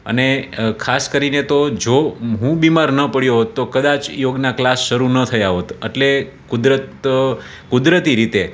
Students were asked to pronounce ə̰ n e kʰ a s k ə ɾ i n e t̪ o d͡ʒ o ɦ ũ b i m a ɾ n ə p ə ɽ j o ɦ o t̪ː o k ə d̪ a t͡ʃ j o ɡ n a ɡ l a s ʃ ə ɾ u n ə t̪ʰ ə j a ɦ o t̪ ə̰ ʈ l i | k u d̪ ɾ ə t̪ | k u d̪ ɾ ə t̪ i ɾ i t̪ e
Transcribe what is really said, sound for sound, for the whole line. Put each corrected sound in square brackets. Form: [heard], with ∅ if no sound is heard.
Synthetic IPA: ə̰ n e kʰ a s k ə ɾ i n e t̪ o d͡ʒ o ɦ ũ b i m a ɾ n ə p ə ɽ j o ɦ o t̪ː o k ə d̪ a t͡ʃ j o ɡ n a [k] l a s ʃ ə ɾ u n ə t̪ʰ ə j a ɦ o t̪ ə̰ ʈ l [e] | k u d̪ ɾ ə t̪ | k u d̪ ɾ ə t̪ i ɾ i t̪ e